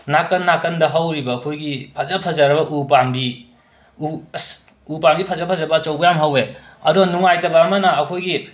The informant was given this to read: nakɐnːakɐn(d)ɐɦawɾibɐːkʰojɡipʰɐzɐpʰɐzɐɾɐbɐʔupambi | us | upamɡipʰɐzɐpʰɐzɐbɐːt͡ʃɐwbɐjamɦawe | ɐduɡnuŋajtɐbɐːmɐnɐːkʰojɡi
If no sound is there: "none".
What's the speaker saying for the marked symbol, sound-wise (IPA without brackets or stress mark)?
d